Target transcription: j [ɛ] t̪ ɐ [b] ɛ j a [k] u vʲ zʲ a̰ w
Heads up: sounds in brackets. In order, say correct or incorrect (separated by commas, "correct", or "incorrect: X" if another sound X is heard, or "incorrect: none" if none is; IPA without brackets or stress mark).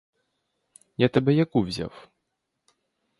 incorrect: a, correct, correct